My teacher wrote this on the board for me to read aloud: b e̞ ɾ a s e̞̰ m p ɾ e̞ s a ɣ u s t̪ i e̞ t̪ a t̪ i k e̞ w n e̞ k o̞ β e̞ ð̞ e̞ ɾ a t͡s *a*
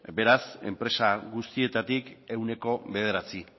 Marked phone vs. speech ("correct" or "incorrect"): incorrect